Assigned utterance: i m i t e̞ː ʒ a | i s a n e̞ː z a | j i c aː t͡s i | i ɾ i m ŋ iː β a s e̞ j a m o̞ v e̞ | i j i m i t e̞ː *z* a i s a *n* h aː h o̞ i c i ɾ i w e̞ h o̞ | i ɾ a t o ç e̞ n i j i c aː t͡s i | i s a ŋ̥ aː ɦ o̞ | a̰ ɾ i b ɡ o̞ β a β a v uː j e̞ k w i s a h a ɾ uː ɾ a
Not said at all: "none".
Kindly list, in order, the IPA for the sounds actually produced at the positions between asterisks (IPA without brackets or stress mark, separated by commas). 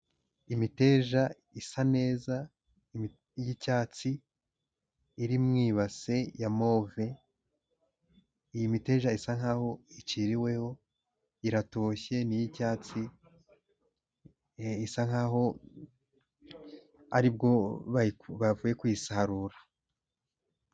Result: ʒ, ŋ